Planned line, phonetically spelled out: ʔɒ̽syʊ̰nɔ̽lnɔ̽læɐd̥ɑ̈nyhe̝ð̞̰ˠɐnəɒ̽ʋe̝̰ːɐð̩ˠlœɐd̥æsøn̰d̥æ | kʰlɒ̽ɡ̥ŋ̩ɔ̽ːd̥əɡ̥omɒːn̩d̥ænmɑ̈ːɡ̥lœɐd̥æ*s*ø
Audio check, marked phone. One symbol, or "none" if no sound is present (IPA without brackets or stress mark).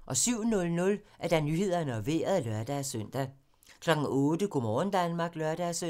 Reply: s